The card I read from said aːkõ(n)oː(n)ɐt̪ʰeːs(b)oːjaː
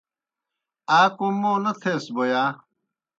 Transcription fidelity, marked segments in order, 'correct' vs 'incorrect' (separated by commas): incorrect, correct, correct